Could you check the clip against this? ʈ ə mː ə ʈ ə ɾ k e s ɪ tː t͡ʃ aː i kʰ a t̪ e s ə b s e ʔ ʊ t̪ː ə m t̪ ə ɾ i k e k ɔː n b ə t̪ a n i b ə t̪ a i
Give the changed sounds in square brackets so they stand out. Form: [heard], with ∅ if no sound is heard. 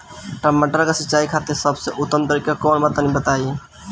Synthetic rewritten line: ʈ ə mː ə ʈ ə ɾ k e s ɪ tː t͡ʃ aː i kʰ a t̪ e s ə b s e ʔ ʊ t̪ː ə m t̪ ə ɾ i k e k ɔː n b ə t̪ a n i b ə t̪ a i